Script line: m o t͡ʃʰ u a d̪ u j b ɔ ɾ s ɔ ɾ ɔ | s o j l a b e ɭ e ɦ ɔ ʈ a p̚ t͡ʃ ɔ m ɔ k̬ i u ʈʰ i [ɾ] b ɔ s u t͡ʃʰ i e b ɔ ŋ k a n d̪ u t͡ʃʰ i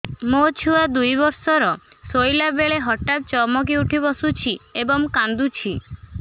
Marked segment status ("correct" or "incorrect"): incorrect